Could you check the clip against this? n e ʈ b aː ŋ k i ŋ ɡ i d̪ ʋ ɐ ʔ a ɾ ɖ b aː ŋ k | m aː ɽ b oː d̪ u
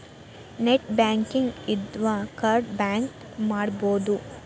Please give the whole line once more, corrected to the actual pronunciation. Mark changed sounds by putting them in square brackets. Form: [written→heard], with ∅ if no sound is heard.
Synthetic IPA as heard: n e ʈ b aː ŋ k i ŋ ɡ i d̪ ʋ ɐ [ʔ→k] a ɾ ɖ b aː ŋ k | m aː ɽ b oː d̪ u